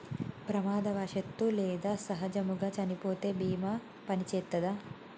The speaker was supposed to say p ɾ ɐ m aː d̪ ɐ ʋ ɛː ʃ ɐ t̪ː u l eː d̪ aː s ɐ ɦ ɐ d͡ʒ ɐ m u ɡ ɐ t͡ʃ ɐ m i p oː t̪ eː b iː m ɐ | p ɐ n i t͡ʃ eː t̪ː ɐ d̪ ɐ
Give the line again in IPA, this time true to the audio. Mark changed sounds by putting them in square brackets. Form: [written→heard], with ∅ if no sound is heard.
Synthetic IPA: p ɾ ɐ m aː d̪ ɐ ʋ [ɛː→aː] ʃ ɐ t̪ː u l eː d̪ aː s ɐ ɦ ɐ d͡ʒ ɐ m u ɡ ɐ t͡ʃ ɐ [m→n] i p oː t̪ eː b iː m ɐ | p ɐ n i t͡ʃ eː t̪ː ɐ d̪ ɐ